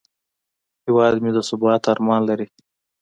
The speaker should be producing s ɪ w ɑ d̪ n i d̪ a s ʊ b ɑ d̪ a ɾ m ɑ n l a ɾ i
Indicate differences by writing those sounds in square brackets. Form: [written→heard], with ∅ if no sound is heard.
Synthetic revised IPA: [s→h] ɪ w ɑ d̪ [n→m] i d̪ [a→ə] s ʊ b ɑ [d̪→t̪] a ɾ m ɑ n l a ɾ i